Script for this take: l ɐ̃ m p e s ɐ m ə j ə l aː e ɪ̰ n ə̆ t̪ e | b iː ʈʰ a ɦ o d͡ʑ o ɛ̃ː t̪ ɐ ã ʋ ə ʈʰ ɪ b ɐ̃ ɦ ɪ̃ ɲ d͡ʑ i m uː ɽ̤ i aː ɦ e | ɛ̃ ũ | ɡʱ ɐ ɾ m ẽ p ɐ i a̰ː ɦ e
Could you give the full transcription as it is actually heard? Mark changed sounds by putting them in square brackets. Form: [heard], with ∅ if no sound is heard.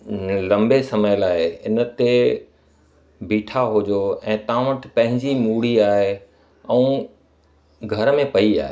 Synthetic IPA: l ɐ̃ m [b] e s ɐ m ə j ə l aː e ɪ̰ n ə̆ t̪ e | b iː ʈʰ a ɦ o d͡ʑ o ɛ̃ː t̪ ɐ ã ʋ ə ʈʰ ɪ [p] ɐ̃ ɦ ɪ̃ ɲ d͡ʑ i m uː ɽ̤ i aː ɦ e | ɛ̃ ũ | ɡʱ ɐ ɾ m ẽ p ɐ i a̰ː ɦ e